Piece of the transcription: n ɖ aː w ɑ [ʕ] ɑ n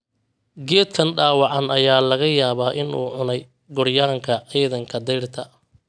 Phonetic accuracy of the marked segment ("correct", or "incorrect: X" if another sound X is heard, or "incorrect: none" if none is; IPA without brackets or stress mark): correct